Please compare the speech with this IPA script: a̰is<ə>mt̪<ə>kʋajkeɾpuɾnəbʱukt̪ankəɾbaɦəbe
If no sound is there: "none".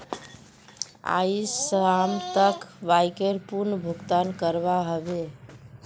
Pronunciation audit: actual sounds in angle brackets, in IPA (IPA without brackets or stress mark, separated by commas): a, ə